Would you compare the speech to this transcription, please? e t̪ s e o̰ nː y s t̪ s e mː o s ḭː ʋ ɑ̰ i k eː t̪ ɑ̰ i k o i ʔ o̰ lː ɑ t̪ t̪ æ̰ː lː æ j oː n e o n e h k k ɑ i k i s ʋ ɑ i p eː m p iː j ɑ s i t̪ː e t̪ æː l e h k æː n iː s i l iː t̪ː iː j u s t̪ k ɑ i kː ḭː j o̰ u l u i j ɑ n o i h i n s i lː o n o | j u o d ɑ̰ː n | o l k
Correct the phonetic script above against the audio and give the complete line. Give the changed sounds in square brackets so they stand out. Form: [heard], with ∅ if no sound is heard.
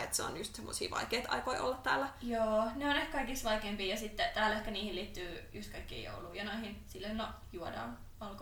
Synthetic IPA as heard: e t̪ s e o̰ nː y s t̪ s e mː o s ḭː ʋ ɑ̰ i k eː t̪ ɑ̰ i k o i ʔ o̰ lː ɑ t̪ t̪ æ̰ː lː æ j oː n e o n e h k k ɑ i k i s ʋ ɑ i [k] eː m p iː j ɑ s i t̪ː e t̪ æː l e h k [æ] n iː [h] i l iː t̪ː [yː] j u s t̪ k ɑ i kː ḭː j o̰ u l u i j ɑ n o i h i n s i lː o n o | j u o d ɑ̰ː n | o l k